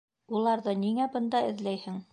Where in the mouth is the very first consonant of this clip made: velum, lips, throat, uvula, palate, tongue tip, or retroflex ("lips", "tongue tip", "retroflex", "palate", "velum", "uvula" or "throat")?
tongue tip